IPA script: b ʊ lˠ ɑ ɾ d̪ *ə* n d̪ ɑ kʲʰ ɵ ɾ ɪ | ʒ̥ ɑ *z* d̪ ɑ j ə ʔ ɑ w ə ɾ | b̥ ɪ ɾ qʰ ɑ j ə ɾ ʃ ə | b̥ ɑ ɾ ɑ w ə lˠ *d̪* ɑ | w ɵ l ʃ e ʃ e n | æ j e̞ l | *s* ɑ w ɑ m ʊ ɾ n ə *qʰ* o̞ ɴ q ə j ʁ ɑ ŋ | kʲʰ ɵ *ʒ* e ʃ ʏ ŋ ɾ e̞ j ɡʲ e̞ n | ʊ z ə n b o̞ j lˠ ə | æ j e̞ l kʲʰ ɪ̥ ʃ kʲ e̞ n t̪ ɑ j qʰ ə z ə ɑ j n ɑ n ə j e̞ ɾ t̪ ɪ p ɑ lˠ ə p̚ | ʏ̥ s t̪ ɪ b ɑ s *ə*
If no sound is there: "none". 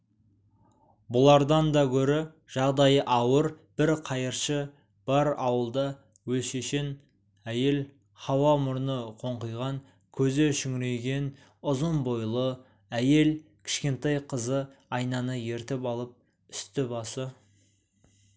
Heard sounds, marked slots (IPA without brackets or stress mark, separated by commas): ɑ, ʁ, d̪, χ, qʰ, z, ə